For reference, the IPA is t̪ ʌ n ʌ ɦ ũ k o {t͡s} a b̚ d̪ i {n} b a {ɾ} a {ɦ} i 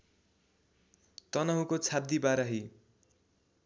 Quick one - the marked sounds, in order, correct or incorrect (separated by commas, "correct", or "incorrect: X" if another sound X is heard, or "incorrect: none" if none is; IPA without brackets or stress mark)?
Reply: incorrect: t͡sʰ, incorrect: none, correct, correct